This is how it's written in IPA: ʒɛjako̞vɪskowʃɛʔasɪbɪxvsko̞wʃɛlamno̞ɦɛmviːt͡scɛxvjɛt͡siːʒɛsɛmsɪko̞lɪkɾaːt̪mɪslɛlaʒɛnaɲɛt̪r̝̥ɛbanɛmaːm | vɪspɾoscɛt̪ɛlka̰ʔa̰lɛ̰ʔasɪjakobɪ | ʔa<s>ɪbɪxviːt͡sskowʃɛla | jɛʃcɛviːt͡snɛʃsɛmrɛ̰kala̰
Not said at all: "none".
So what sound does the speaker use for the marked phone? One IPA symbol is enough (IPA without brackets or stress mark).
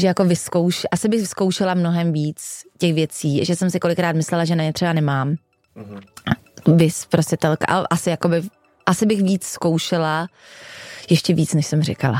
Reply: s